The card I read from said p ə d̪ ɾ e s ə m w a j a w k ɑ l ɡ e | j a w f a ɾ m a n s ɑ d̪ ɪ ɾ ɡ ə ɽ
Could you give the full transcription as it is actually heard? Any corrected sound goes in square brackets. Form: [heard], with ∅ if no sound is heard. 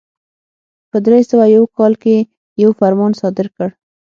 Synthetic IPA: p ə d̪ ɾ e s ə [∅] w a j a w k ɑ l [k] e | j a w f a ɾ m [ɑ] n s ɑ d̪ ɪ ɾ [k] ə ɽ